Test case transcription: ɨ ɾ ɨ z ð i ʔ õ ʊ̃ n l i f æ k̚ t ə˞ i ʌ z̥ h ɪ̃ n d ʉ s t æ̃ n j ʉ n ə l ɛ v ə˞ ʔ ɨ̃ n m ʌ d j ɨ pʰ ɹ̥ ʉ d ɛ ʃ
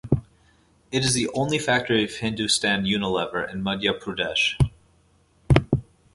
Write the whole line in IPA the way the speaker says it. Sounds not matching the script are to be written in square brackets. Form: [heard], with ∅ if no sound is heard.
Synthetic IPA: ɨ ɾ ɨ z ð i ʔ õ ʊ̃ n l i f æ k̚ t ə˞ i ʌ [v̥] h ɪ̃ n d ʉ s t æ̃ n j ʉ n ə l ɛ v ə˞ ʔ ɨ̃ n m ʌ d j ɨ pʰ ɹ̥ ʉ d ɛ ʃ